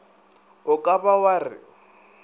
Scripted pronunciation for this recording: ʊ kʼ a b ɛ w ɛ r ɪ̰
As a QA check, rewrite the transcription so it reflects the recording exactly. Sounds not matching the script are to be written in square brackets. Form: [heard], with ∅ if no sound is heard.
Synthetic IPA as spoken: ʊ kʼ a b [a] w [a] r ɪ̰

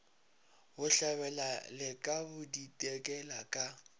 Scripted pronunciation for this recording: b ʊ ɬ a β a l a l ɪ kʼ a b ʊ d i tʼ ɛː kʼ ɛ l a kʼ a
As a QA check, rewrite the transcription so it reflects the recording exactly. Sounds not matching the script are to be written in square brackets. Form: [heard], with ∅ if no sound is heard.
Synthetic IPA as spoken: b ʊ ɬ a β [ɛ] l a l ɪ kʼ a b ʊ d i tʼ [ɛ] kʼ ɛ l a kʼ a

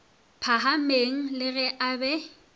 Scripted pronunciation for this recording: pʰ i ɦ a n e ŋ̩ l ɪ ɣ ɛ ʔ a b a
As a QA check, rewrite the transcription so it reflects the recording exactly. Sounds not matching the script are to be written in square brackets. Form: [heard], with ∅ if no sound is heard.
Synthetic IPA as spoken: pʰ [a] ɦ a [m] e ŋ̩ l ɪ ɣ ɛ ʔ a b [ɛ]

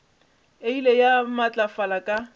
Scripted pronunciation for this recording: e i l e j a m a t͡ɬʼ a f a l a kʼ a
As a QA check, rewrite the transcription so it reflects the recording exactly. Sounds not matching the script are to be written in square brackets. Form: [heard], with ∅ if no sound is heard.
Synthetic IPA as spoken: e i l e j a m a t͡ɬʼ a f a l a kʼ a

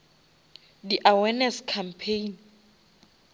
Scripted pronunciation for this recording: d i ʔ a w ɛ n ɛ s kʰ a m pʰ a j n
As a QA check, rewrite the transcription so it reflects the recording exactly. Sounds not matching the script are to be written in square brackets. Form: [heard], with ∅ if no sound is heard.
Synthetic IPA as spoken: d i ʔ a w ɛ n ɛ s kʰ a m pʰ [e] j n

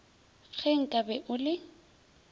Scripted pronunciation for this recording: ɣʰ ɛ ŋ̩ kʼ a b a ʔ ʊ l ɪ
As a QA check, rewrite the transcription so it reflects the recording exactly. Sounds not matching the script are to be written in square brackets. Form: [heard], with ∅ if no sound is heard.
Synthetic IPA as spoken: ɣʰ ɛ ŋ̩ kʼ a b [ɛ] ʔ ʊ l ɪ

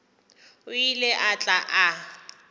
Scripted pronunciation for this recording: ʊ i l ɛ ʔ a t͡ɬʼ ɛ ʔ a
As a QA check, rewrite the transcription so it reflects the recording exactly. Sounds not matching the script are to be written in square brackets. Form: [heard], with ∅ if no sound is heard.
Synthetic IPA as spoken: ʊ i l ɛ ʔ a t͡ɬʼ [a] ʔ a

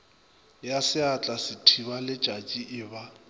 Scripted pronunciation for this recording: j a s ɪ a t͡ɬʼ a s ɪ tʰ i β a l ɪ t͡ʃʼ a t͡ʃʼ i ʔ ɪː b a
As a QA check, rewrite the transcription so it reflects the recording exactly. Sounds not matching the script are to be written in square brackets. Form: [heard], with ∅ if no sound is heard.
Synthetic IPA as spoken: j a s ɪ a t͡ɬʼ a s ɪ tʰ i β a l ɪ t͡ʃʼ a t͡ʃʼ i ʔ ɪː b a

